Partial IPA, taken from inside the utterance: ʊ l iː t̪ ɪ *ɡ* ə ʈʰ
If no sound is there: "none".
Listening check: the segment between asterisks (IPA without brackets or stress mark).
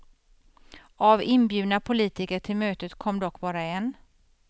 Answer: k